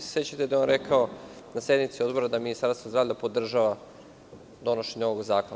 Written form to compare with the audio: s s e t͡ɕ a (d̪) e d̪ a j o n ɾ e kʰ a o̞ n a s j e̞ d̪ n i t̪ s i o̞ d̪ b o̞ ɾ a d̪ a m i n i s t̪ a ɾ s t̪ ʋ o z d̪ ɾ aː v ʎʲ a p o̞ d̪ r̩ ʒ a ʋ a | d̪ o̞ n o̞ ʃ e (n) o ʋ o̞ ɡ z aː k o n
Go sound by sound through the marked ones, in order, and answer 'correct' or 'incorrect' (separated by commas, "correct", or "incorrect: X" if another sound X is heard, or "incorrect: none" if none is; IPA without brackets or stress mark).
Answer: incorrect: t̪, incorrect: ɲ